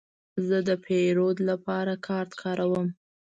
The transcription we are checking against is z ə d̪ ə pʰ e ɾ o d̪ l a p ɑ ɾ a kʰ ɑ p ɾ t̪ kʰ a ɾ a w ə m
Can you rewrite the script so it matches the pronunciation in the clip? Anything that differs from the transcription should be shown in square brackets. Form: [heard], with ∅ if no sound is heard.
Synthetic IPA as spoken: z ə d̪ ə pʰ e ɾ o d̪ l a p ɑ ɾ a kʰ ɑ [∅] ɾ t̪ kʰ [ɑ] ɾ a w ə m